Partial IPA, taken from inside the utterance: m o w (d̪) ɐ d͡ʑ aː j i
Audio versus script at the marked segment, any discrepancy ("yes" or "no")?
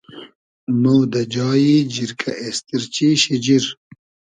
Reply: no